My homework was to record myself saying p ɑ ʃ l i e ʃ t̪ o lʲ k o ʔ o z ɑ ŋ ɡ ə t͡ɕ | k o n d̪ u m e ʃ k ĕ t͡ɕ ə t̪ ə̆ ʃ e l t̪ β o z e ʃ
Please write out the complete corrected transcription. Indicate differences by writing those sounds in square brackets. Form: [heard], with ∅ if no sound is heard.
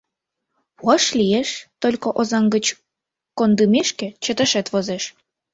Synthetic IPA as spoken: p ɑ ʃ l i e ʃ t̪ o lʲ k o ʔ o z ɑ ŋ ɡ ə t͡ɕ | k o n d̪ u m e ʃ k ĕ t͡ɕ ə t̪ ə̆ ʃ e [∅] t̪ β o z e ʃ